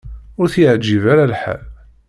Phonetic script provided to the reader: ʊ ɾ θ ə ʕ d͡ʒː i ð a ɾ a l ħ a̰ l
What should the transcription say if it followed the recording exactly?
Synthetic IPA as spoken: ʊ ɾ θ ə ʕ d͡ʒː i v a ɾ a l ħ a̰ l